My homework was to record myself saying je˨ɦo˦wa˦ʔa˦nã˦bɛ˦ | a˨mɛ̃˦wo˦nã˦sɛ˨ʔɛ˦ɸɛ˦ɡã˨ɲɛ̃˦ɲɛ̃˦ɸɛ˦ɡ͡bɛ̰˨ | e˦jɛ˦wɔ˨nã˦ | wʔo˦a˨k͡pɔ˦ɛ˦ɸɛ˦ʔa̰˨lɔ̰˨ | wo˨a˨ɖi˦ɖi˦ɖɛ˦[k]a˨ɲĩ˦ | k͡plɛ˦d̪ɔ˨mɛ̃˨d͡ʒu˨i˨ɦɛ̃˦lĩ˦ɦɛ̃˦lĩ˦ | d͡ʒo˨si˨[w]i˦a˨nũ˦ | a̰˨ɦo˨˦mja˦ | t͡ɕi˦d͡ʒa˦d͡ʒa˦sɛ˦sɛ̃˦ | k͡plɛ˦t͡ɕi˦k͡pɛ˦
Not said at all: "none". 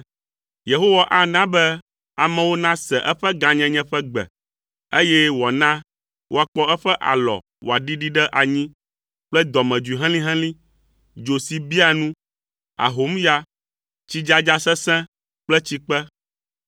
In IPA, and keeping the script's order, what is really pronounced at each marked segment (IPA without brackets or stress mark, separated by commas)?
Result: ʔ, b